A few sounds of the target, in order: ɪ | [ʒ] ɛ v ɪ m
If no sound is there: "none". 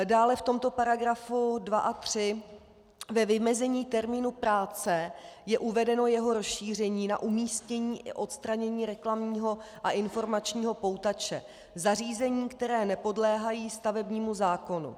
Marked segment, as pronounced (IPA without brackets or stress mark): v